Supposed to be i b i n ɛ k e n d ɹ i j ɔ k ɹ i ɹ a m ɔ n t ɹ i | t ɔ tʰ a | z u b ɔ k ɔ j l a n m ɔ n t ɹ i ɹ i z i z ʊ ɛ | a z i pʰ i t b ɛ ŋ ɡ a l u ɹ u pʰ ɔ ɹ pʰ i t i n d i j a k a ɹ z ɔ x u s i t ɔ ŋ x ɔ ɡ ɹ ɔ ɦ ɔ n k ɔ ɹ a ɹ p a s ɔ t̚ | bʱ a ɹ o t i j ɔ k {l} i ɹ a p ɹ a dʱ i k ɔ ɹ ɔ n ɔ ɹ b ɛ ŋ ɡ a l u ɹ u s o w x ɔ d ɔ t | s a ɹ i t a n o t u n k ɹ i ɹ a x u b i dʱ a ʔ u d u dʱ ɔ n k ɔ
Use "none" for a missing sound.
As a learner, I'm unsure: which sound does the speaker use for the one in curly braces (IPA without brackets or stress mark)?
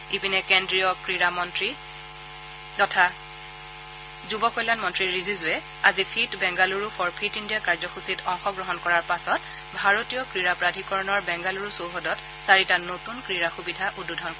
ɹ